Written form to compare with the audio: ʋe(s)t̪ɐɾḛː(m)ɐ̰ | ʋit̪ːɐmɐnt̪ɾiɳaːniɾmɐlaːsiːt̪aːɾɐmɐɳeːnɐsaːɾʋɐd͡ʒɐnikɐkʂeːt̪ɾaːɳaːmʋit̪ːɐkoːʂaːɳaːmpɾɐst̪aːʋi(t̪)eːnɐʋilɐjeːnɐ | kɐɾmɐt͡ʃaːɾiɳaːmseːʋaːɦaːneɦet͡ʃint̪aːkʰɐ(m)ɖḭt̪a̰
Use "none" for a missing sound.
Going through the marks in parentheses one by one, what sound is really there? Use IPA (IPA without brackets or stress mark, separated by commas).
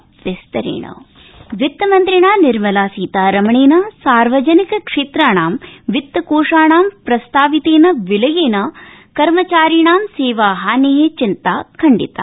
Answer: s, ɳ, t̪, ɳ